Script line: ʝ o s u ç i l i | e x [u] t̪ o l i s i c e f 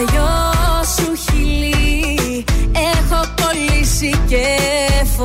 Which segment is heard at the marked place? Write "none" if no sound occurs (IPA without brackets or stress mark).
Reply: o